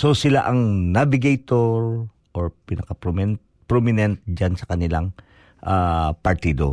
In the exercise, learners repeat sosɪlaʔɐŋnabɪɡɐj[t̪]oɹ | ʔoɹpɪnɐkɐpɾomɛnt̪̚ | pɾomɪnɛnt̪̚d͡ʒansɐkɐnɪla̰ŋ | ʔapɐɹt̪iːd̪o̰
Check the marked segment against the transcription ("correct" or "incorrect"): correct